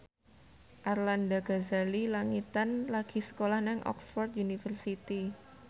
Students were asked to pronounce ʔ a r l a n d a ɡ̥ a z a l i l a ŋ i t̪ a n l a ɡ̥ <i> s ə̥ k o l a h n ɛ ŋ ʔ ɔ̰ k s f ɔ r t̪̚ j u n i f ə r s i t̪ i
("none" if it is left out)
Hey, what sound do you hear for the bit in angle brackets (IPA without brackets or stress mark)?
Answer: i